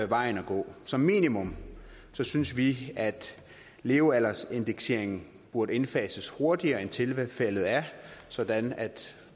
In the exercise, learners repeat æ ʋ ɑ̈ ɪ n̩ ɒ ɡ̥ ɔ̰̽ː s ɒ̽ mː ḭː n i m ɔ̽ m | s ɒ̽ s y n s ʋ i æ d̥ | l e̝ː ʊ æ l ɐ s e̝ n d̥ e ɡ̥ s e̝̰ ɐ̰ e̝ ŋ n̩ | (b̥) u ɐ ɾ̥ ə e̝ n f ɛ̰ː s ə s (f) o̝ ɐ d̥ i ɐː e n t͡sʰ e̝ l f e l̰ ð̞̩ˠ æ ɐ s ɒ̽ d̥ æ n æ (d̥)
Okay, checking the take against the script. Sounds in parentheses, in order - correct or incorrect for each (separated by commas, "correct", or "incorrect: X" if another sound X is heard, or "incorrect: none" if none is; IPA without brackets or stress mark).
correct, incorrect: h, correct